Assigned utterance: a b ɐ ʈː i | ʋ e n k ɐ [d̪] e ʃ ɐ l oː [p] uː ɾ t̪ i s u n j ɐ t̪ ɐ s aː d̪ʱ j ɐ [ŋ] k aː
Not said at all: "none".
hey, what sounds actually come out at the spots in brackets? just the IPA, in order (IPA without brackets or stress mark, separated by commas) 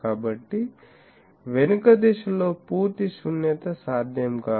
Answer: d̪, p, m